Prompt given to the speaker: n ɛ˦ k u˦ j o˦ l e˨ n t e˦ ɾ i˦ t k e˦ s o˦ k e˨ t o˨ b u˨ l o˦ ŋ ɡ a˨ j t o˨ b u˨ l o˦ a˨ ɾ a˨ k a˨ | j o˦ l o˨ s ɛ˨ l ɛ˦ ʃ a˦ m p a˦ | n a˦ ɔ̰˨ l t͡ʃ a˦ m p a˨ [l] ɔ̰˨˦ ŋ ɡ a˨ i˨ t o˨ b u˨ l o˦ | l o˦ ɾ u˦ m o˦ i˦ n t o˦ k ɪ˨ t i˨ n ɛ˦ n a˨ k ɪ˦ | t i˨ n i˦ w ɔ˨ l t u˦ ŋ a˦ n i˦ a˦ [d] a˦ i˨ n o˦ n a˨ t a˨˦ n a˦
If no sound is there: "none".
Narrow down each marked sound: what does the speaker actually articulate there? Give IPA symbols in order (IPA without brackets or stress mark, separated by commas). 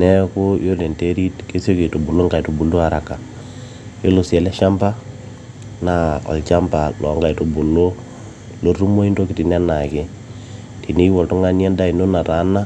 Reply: l, d